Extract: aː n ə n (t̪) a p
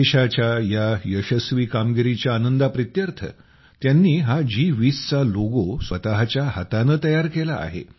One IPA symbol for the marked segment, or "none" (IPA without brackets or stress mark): d̪